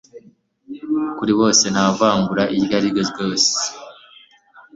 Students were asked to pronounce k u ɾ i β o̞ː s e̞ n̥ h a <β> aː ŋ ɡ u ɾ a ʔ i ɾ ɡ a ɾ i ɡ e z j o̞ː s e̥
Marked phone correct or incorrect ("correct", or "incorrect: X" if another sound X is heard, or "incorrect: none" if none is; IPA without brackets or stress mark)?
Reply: incorrect: v